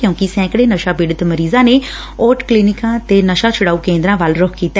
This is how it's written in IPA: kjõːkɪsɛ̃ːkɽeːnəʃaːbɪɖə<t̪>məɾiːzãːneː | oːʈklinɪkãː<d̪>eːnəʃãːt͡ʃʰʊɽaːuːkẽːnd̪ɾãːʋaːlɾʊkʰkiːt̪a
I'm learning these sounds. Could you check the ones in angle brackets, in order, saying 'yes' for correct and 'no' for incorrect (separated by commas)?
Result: yes, no